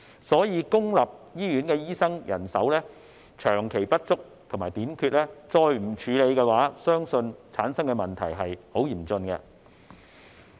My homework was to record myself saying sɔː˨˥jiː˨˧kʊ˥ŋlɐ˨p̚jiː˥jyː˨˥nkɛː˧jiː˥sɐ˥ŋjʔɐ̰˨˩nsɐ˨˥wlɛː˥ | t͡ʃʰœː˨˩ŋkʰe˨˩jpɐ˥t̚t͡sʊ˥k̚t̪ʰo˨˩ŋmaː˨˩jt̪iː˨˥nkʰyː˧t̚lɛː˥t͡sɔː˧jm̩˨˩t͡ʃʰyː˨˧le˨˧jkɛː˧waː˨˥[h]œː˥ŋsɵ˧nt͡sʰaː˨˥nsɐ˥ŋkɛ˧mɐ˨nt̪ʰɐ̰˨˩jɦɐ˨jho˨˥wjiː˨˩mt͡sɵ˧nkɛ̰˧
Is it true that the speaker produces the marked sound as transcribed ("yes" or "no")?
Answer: no